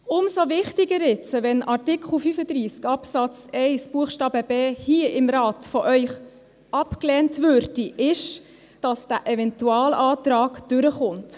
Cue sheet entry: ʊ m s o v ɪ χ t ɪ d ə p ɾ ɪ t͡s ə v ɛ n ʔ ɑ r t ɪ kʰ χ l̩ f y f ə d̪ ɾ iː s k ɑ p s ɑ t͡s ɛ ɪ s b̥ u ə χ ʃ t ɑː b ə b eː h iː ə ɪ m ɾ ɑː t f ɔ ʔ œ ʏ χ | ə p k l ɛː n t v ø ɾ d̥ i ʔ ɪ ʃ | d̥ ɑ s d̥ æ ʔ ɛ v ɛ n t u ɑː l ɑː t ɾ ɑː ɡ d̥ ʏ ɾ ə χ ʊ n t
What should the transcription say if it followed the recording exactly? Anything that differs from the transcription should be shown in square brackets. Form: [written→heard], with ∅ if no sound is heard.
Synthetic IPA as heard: ʊ m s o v ɪ χ t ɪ [d→ɡ] ə [p→∅] ɾ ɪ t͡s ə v ɛ n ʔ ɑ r t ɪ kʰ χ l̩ f y f ə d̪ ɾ iː s k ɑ p s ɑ t͡s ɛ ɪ s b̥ u ə χ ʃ t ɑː b ə b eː h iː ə ɪ m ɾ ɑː t f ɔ ʔ œ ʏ χ | [ə→ɑ] p k l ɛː n t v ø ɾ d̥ i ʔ ɪ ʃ | d̥ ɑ s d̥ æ ʔ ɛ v ɛ n t u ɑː l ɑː t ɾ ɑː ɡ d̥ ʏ ɾ ə χ ʊ n t